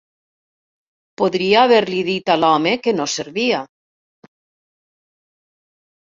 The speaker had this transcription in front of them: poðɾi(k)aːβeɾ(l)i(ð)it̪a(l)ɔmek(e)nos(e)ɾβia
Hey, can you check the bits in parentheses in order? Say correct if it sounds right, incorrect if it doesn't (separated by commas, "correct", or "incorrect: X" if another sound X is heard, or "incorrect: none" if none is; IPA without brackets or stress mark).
incorrect: none, correct, correct, correct, correct, correct